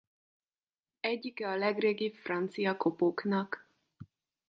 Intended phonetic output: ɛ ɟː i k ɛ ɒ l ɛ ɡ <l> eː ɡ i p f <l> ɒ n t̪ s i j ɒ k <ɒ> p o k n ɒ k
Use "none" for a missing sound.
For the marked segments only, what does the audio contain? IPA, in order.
r, r, o

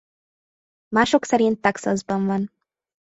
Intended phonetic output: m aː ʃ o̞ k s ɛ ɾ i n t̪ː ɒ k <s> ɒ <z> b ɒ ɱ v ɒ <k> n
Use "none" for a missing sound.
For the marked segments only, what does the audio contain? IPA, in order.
s, z, none

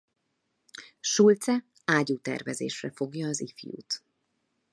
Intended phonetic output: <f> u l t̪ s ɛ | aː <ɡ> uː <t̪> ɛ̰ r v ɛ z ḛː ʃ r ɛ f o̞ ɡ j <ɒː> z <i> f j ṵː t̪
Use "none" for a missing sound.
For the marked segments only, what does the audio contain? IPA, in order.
ʃ, ɟ, t̪, ɒː, i

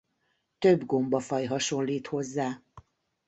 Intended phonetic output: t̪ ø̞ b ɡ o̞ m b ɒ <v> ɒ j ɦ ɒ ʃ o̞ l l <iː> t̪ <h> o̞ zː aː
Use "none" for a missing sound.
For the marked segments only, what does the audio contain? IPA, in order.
f, iː, h

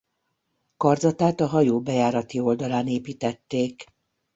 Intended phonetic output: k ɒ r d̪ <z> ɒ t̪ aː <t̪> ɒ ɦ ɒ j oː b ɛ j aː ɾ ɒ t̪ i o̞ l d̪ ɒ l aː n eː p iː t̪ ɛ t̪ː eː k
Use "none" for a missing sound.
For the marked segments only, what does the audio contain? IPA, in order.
z, t̪

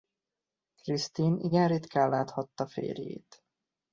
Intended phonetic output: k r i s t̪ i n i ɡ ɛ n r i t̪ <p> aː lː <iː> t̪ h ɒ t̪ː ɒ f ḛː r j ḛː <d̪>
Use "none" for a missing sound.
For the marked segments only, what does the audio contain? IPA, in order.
k, aː, t̪

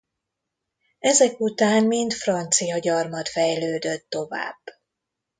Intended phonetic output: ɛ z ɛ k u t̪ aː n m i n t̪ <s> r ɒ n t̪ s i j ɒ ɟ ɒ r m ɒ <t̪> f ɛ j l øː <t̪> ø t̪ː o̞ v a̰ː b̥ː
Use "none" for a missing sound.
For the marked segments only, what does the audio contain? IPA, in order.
f, t̪, d̪

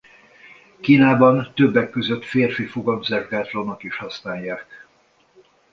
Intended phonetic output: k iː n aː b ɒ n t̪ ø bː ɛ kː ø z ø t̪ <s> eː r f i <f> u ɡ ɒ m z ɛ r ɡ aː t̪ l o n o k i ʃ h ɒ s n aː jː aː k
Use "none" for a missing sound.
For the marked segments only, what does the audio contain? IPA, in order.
f, f

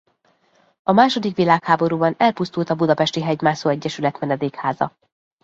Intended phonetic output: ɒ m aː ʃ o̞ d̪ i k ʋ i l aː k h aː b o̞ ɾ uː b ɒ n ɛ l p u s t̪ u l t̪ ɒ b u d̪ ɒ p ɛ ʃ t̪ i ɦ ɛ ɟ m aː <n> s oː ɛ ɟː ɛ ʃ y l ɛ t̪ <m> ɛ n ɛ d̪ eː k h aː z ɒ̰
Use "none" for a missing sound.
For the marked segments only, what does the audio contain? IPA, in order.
none, m

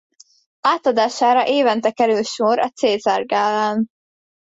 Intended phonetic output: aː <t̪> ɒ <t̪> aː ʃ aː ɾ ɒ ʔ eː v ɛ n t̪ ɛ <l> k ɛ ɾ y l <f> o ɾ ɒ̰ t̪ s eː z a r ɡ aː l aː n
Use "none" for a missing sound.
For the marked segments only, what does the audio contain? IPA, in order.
t̪, d̪, none, ʃ

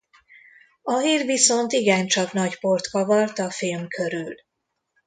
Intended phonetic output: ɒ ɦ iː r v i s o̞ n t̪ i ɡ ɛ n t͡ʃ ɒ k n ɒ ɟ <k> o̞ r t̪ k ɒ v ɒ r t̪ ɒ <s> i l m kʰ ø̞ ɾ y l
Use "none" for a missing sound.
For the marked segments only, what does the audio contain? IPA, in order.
p, f

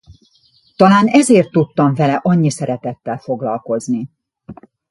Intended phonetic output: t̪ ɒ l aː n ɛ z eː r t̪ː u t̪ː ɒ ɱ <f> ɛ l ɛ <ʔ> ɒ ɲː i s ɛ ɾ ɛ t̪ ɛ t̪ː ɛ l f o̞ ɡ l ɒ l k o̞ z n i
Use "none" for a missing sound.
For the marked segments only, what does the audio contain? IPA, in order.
v, ʔ

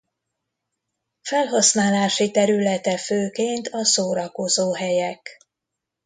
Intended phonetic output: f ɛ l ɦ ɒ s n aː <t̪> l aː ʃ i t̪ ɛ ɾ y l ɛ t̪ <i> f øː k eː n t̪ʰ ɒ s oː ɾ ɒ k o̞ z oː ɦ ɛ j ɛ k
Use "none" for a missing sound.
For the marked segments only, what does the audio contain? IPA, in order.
none, ɛ

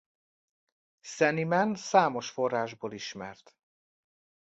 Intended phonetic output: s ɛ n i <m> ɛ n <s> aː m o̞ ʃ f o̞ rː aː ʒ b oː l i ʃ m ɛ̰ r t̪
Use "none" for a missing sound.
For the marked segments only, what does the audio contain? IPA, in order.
m, s

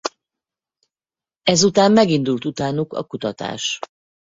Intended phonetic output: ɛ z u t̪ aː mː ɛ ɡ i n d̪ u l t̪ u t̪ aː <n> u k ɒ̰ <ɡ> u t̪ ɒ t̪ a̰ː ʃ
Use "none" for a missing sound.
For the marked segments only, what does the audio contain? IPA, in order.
n, k

